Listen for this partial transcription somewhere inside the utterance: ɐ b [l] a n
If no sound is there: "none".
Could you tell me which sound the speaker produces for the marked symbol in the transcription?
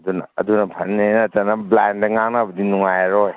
l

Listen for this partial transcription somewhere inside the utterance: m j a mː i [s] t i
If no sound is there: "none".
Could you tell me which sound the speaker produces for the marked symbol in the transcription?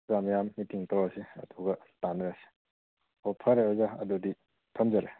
none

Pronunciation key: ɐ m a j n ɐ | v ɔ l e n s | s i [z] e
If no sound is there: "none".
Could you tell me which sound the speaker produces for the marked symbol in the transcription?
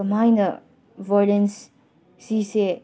s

